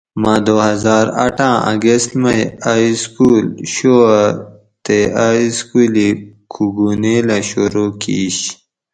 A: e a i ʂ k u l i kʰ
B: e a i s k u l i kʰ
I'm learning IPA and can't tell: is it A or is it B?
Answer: B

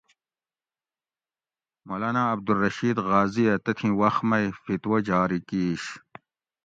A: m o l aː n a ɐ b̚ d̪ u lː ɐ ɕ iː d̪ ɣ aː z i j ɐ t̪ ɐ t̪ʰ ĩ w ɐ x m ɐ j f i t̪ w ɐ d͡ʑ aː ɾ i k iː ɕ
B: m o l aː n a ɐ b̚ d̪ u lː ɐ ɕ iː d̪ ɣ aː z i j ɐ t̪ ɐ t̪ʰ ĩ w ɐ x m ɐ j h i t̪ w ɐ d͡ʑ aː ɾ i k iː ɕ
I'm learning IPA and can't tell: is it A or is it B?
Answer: A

